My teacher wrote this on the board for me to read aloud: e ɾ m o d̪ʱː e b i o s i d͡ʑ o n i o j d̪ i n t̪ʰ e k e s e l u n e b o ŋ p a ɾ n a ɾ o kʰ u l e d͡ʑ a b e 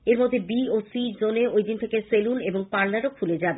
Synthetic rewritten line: e ɾ m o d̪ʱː e b i o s i d͡ʑ o n e o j d̪ i n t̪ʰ e k e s e l u n e b o ŋ p a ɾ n a ɾ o kʰ u l e d͡ʑ a b e